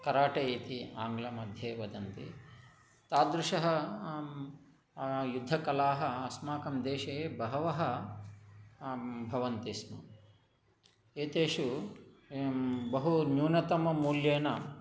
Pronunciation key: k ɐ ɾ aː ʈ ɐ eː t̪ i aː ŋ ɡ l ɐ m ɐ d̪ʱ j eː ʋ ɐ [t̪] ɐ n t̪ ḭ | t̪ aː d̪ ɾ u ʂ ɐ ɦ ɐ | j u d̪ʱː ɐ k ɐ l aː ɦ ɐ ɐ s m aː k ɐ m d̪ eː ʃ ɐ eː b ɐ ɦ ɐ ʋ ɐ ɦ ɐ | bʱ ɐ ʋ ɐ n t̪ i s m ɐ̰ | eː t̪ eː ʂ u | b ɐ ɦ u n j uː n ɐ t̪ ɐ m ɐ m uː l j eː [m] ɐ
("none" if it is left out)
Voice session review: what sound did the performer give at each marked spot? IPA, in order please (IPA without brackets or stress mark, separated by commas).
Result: d̪, n